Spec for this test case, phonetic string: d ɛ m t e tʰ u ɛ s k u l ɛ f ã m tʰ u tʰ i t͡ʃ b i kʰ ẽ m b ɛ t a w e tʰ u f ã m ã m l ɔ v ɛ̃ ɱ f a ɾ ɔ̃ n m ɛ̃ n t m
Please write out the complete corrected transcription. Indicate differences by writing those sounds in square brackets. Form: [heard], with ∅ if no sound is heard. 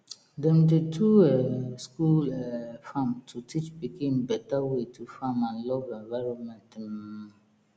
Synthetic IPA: d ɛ m t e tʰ u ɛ s k u l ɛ f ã m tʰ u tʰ i t͡ʃ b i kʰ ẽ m b ɛ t a w e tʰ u f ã m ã [n] l ɔ v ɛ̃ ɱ [v] a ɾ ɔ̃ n m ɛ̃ n t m